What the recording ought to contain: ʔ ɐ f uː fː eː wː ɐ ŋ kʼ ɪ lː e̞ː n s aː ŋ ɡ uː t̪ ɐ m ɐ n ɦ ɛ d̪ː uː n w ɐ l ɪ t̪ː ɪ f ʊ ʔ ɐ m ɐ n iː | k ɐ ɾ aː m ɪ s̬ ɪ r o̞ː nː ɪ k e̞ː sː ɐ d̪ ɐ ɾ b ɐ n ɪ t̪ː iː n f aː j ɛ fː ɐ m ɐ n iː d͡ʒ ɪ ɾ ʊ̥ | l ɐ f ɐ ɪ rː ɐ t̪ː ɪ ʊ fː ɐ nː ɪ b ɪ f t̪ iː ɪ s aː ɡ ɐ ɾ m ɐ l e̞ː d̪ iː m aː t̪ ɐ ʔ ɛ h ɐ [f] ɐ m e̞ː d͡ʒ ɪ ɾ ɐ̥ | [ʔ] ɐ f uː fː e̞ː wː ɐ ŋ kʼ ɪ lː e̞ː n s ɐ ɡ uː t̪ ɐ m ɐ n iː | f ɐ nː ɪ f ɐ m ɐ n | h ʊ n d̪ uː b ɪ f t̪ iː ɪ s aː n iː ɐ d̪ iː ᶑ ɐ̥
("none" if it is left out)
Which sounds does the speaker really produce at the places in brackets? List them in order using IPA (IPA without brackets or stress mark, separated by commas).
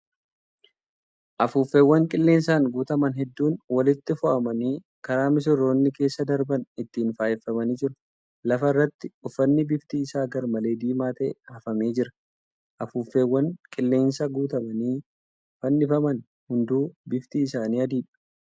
f, ʔ